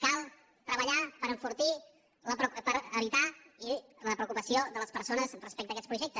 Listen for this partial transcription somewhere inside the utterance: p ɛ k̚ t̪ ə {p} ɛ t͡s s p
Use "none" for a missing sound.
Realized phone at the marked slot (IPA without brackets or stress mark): k